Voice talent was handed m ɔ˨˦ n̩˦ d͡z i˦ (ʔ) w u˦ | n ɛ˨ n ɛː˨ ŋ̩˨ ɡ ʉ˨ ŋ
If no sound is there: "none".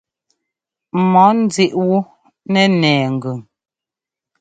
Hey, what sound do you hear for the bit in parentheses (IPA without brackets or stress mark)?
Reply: ʔ